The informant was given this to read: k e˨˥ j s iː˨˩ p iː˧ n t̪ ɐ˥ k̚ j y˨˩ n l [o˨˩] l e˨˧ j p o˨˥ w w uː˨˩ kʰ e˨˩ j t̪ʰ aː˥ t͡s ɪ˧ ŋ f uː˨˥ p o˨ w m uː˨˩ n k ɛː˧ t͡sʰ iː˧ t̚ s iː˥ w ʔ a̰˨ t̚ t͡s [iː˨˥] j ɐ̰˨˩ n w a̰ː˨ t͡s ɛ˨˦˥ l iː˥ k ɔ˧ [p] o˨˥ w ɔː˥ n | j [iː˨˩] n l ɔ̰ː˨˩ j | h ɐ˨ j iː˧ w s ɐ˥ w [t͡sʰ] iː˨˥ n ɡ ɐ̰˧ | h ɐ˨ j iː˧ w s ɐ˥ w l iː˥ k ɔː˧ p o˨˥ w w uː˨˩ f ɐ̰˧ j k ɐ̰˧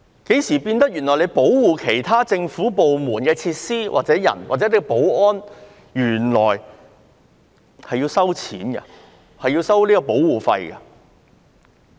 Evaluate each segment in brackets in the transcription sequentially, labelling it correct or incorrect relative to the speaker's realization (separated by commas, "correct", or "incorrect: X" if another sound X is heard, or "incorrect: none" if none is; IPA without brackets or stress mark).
incorrect: ɔ˨˩, incorrect: ɛː˨˥, correct, incorrect: yː˨˩, correct